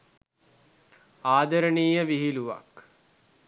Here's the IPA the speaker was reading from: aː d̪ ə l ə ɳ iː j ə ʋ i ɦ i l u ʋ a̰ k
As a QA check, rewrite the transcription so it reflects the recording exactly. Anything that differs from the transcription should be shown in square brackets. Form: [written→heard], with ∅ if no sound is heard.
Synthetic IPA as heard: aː d̪ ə [l→ɾ] ə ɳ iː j ə ʋ i ɦ i l u ʋ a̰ k